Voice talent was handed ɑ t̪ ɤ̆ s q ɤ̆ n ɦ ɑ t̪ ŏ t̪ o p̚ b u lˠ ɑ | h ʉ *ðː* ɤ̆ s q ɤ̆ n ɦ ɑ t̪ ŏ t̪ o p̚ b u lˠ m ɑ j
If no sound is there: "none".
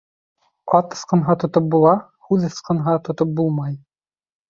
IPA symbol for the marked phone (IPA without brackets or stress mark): ð